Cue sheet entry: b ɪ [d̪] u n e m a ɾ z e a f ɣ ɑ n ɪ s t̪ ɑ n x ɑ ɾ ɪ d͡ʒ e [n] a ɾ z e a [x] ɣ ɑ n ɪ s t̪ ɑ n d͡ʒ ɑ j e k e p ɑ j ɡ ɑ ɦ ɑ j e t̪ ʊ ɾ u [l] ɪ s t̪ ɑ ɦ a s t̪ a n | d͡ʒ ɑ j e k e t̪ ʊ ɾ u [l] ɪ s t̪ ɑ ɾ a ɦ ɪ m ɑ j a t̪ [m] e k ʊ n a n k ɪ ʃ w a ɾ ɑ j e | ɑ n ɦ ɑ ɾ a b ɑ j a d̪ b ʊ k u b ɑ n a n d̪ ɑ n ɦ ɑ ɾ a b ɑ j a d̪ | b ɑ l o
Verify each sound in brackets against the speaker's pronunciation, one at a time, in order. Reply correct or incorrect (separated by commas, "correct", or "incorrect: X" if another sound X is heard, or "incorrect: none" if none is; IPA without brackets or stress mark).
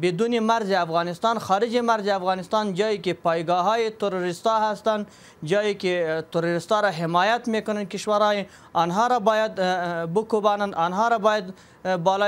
correct, incorrect: m, incorrect: f, incorrect: ɾ, incorrect: ɾ, correct